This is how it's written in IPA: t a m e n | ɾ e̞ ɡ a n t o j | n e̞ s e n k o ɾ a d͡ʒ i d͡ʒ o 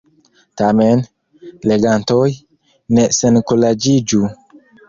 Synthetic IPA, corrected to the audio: t a m e n | l e̞ ɡ a n t o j | n e̞ s e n k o l a d͡ʒ i d͡ʒ u